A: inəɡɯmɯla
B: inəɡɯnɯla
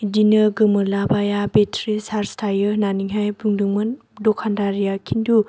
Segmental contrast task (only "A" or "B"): A